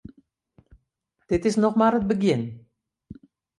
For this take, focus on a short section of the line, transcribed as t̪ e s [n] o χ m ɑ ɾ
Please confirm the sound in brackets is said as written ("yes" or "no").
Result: yes